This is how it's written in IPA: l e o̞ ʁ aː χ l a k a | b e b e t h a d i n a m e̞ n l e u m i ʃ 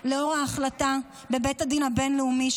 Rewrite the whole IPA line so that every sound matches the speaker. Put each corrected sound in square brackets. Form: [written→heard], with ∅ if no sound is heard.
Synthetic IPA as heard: l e o̞ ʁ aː χ l a [k→t] a | b e b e t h a d i n a [m→b] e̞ n l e u m i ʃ